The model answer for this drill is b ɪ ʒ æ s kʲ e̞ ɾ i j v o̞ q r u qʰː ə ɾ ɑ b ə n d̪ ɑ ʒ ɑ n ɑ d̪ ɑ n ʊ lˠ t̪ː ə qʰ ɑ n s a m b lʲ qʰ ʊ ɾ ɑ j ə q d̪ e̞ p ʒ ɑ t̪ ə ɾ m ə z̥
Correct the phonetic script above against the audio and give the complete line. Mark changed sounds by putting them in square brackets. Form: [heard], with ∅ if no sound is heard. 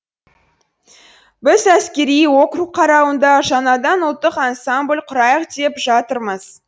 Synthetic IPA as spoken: b ɪ [z] æ s kʲ e̞ ɾ i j [w] o̞ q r u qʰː [ɑ] ɾ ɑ [w] ə n d̪ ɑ ʒ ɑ n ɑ d̪ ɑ n ʊ lˠ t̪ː ə [q] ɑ n s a m b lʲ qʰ ʊ ɾ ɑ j ə q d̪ e̞ p ʒ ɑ t̪ ə ɾ m ə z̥